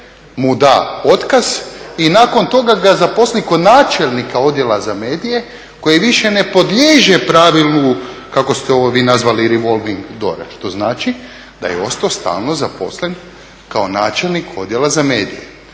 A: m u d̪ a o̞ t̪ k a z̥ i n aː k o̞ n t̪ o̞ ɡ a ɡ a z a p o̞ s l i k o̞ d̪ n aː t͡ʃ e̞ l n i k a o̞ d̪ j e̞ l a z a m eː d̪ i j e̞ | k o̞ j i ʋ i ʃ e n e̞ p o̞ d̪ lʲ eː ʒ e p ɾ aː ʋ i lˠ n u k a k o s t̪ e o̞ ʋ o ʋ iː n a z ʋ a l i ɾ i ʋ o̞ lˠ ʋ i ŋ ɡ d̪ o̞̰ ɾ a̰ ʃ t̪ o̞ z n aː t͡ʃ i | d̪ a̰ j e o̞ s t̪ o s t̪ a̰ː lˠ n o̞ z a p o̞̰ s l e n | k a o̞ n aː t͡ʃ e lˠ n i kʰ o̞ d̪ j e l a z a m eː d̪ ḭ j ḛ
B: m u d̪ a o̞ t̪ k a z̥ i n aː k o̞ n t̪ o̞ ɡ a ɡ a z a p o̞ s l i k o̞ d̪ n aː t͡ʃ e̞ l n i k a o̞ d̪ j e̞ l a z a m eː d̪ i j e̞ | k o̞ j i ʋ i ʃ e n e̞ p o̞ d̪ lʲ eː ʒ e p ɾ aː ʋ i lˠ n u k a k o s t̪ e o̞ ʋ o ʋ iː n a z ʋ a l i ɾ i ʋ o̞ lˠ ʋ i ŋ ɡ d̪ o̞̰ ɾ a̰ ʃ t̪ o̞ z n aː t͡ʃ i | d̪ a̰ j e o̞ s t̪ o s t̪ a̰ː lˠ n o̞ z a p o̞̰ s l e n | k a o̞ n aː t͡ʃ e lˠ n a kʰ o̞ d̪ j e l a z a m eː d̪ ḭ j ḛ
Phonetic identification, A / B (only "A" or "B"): A